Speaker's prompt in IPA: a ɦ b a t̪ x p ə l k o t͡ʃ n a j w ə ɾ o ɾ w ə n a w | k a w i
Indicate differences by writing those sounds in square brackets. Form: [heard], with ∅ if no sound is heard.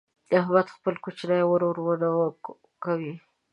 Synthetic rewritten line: a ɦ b a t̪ x p ə l k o t͡ʃ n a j w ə ɾ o ɾ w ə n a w | k a w i